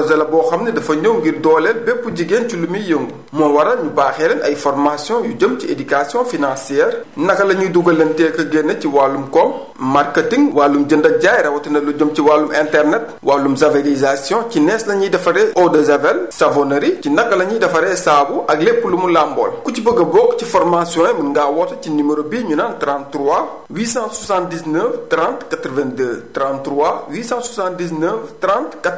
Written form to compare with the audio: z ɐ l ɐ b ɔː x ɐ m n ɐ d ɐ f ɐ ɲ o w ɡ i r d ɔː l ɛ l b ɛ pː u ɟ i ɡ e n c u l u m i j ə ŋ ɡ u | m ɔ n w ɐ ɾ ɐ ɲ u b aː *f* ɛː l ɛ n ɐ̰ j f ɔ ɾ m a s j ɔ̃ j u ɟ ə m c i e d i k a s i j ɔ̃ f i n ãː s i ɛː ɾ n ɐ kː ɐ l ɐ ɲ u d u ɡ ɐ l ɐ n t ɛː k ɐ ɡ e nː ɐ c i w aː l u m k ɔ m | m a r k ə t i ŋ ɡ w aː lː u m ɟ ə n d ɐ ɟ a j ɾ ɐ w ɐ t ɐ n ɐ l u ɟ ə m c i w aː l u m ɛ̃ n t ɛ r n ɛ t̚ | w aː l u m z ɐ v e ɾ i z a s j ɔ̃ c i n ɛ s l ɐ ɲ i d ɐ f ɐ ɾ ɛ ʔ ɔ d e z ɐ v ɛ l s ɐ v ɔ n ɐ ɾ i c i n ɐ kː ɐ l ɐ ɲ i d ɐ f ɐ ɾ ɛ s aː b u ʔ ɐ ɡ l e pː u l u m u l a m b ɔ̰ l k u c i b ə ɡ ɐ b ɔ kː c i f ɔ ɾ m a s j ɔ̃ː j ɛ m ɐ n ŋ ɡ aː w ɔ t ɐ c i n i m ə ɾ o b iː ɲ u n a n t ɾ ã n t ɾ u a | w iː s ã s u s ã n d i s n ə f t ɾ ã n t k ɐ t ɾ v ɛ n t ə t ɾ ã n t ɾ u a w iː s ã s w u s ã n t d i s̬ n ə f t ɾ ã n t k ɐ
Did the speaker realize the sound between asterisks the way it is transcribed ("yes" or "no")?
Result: no